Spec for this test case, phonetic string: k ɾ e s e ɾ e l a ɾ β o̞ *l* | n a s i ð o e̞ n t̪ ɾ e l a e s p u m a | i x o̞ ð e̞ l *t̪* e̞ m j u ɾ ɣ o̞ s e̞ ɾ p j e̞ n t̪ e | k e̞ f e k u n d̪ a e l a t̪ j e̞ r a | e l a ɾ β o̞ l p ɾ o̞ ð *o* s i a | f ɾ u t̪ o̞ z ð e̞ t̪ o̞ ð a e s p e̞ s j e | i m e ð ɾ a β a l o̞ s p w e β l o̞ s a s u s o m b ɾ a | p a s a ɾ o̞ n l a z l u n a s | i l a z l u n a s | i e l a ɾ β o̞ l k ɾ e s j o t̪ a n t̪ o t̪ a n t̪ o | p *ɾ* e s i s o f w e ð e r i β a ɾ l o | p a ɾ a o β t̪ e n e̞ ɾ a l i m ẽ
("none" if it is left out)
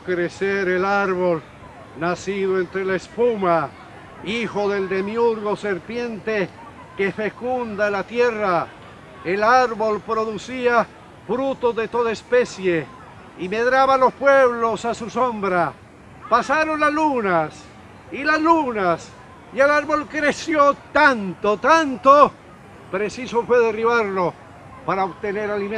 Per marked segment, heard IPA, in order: l, d̪, u, ɾ

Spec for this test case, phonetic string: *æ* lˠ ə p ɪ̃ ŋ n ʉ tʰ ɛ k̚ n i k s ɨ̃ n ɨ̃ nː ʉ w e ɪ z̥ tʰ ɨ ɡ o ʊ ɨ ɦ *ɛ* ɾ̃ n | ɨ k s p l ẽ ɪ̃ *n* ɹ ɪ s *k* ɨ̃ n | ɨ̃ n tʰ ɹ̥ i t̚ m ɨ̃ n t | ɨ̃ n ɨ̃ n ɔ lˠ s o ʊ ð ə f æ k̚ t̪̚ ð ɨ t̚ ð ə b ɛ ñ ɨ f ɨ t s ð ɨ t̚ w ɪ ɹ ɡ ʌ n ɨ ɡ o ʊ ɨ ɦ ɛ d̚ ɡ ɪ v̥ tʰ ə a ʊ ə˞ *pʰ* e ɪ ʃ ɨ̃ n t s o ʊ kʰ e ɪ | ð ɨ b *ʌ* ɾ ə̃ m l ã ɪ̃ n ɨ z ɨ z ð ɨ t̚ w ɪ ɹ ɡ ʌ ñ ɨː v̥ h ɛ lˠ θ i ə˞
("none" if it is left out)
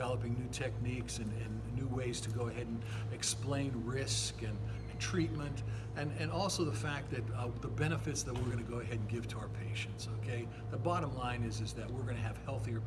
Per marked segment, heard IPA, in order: ɛ, ɛ, n, k, pʰ, ɑ

